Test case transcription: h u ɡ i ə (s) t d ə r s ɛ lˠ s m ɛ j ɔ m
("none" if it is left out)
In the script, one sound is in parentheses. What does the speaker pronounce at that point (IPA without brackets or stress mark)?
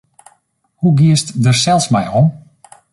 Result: s